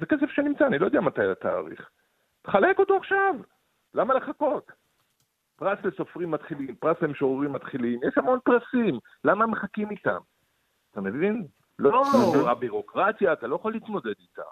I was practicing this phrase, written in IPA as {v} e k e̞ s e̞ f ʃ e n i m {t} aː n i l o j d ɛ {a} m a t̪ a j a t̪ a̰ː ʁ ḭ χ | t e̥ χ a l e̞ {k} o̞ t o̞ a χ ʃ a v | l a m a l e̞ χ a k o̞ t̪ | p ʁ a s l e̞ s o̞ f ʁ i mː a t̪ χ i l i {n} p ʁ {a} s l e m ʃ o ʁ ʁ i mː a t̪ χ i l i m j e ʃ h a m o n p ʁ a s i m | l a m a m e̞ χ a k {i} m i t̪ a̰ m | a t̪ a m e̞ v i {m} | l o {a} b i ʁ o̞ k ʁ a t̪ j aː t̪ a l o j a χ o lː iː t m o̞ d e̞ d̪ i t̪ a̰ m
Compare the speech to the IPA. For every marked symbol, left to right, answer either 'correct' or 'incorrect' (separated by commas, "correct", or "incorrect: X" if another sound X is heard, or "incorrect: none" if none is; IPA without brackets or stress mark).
incorrect: z, incorrect: t͡s, correct, correct, incorrect: m, correct, correct, incorrect: n, correct